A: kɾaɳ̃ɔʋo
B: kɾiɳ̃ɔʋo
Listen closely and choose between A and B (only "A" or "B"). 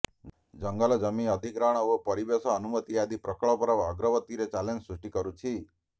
A